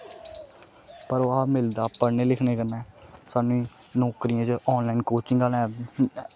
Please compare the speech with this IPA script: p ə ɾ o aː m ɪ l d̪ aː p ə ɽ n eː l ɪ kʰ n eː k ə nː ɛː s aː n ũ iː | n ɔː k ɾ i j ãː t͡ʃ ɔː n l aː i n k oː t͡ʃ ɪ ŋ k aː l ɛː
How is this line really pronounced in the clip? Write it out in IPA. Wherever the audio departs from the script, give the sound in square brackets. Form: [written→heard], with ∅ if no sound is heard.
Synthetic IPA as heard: p ə ɾ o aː m ɪ l d̪ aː p ə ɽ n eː l ɪ kʰ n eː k ə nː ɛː s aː n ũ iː | n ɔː k ɾ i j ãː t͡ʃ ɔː n l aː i n k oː t͡ʃ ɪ ŋ [k→ɡ] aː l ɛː